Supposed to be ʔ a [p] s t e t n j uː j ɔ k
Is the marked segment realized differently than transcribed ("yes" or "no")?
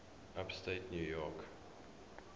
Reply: no